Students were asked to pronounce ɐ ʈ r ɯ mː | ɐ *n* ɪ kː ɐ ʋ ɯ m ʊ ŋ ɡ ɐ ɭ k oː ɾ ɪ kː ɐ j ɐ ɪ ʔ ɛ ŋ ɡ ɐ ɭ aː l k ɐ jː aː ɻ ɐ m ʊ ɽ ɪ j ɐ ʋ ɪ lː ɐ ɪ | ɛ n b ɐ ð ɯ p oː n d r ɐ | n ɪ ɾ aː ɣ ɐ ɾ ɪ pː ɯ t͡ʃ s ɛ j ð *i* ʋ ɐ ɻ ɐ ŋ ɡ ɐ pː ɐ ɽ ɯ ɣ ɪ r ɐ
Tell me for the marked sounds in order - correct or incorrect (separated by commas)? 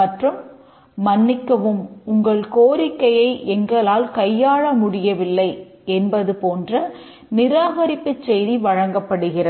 incorrect, correct